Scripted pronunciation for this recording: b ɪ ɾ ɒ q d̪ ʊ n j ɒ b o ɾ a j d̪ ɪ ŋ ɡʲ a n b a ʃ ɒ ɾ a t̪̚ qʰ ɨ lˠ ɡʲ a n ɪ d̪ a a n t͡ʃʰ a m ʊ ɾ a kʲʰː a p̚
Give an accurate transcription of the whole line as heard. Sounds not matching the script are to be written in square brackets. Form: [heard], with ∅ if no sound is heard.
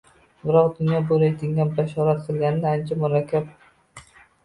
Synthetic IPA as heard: b ɪ ɾ ɒ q d̪ ʊ n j ɒ b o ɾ a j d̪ ɪ ŋ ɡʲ a n b a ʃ ɒ ɾ a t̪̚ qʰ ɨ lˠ ɡʲ a n ɪ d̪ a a n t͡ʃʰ a m ʊ ɾ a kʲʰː a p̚